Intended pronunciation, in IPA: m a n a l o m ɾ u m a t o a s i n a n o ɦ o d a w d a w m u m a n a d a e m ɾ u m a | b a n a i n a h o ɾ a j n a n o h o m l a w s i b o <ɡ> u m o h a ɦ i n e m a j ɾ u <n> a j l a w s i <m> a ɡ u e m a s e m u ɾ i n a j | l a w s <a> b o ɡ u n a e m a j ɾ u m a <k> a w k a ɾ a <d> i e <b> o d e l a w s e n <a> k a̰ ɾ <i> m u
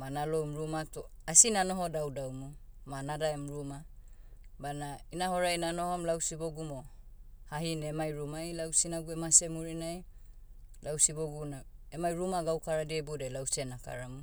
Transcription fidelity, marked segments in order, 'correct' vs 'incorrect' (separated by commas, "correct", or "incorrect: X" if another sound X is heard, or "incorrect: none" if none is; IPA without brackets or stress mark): correct, incorrect: m, incorrect: n, incorrect: i, incorrect: ɡ, correct, correct, correct, incorrect: a